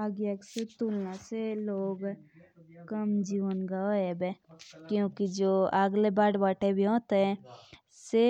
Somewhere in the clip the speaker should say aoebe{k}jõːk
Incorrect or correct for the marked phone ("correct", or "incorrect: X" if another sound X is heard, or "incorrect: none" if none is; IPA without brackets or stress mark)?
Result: correct